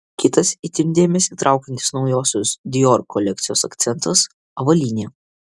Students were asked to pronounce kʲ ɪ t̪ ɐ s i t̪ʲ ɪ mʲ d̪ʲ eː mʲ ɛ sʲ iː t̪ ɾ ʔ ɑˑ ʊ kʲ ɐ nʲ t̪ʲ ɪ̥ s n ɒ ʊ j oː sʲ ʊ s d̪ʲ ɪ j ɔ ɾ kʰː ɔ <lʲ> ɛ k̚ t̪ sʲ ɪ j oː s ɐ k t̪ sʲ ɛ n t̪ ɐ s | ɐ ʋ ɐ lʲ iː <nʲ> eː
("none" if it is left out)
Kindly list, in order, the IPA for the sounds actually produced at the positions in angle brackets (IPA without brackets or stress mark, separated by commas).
lʲ, nʲ